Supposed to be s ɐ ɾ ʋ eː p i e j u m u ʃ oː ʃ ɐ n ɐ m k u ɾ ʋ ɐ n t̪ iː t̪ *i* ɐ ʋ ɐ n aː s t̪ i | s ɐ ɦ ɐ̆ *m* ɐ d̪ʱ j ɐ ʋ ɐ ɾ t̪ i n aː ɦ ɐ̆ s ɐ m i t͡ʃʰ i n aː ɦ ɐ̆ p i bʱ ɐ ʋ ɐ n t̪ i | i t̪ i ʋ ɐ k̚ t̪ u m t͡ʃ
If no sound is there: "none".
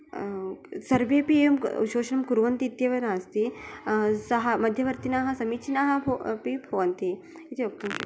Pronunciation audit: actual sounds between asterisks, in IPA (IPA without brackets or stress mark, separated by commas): j, m